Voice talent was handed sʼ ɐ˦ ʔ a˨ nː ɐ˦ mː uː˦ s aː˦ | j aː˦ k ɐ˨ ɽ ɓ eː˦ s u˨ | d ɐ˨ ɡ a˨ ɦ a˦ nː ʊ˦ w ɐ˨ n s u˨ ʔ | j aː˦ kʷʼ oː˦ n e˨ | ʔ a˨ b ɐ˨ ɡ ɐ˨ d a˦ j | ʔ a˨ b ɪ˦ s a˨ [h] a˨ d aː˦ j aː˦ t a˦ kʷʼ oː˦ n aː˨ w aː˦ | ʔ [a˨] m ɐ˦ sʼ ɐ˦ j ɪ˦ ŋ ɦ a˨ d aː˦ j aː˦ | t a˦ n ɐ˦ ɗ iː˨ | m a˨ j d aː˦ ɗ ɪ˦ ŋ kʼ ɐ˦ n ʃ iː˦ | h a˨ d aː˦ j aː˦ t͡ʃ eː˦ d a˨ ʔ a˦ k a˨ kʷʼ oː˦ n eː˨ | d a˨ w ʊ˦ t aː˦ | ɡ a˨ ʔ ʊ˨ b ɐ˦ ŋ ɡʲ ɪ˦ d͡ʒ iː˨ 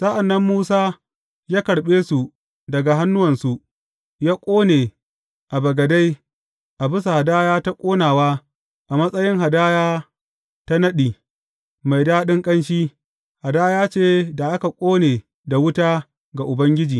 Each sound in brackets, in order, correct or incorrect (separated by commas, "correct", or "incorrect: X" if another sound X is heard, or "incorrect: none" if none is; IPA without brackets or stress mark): correct, correct